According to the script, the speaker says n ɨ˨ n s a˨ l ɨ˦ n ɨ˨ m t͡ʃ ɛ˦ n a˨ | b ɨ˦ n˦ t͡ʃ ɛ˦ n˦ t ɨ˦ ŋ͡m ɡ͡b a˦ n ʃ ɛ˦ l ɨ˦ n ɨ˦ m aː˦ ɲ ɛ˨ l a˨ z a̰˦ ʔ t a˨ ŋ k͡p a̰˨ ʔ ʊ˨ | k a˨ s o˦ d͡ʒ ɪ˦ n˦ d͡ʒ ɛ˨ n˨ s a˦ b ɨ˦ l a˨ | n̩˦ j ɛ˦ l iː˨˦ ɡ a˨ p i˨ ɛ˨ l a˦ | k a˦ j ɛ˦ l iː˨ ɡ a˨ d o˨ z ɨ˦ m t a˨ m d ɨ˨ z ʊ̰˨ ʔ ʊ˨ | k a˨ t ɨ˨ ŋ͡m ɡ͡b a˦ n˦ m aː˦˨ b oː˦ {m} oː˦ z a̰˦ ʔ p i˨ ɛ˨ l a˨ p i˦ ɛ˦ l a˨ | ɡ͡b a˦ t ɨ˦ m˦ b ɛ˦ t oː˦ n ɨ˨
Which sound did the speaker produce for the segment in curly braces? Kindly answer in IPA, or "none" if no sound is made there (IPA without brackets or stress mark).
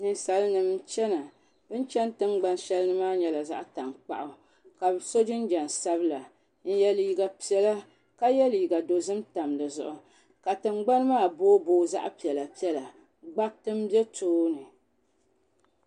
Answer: b